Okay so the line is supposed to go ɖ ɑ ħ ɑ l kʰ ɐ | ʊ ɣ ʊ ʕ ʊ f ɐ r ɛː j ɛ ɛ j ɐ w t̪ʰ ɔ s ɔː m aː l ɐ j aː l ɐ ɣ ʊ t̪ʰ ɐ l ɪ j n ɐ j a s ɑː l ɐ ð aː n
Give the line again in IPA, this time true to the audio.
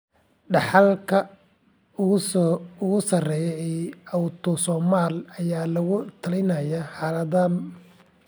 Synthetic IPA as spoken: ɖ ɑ ħ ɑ l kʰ ɐ | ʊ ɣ ʊ ɣ ʊ s ɐ r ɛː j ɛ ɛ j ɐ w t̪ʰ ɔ s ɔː m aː l ɐ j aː l ɐ ɣ ʊ t̪ʰ ɐ l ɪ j n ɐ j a ħ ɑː l ɐ ð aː n